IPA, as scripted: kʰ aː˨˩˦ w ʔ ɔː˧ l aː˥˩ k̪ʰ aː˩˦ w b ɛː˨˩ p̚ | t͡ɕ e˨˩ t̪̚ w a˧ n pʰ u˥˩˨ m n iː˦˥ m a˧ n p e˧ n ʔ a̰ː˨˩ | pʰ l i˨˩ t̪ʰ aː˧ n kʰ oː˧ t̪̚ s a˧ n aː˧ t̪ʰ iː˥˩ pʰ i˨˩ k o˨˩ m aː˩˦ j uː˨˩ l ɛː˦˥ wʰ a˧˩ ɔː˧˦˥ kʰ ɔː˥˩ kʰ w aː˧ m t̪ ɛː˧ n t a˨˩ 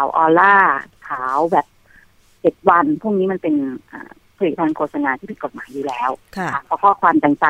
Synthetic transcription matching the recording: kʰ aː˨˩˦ w ʔ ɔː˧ l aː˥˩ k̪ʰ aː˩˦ w b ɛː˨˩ p̚ | t͡ɕ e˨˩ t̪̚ w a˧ n pʰ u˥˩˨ ŋ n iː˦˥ m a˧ n p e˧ n ʔ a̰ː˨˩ | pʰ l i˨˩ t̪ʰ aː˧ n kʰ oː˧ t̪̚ s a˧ n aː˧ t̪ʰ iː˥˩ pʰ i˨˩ k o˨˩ m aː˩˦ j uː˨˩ l ɛː˦˥ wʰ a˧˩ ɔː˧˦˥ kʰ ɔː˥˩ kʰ w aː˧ m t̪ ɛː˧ ŋ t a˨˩